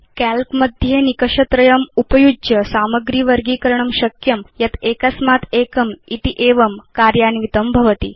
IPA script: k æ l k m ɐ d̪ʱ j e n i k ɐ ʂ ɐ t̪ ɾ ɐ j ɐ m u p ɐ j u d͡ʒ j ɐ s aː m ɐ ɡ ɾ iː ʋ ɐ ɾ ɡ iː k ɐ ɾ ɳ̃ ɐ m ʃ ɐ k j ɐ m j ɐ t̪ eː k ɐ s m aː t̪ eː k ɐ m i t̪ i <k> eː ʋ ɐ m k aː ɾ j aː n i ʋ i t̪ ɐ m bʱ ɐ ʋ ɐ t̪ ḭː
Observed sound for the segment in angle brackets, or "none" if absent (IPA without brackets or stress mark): ʔ